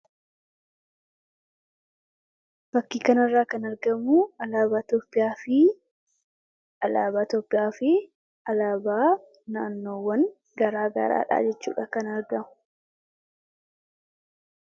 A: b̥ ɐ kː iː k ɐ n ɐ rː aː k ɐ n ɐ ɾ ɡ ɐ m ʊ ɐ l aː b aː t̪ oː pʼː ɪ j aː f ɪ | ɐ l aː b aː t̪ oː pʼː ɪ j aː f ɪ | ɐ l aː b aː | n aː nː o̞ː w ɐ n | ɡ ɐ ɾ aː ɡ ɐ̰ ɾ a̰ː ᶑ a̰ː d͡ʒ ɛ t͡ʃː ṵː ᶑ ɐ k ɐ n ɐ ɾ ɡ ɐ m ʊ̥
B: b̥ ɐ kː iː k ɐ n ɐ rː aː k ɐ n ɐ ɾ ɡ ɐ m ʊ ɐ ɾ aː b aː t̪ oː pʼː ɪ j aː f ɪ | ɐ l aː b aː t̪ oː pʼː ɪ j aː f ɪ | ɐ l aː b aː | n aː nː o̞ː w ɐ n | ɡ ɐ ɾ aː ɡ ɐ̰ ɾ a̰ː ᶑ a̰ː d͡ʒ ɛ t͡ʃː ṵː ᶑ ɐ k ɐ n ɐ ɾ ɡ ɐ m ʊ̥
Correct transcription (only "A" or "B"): A